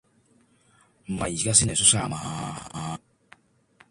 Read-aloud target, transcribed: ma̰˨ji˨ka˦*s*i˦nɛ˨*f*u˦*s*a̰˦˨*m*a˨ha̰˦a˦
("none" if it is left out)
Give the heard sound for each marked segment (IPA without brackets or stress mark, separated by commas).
s, s, s, m